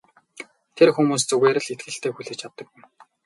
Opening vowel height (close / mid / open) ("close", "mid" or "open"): mid